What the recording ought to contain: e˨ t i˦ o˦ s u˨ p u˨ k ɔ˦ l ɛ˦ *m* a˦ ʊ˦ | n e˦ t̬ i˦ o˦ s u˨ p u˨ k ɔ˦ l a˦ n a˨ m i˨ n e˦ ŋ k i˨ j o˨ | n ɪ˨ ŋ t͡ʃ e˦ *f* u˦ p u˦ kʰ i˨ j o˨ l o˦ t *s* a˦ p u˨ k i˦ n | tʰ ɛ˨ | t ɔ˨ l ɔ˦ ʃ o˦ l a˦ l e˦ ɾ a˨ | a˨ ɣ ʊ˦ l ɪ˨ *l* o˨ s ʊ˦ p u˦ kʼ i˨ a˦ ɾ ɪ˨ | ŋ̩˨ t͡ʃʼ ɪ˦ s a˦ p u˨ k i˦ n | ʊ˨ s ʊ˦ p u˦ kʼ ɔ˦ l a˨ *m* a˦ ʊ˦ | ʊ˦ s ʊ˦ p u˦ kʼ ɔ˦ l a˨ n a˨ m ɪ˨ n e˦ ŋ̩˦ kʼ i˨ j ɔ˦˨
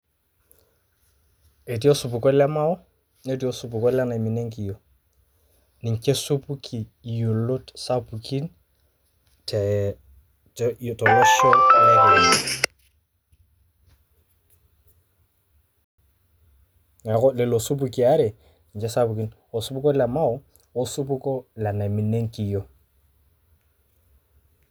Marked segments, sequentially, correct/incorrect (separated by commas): correct, incorrect, correct, correct, correct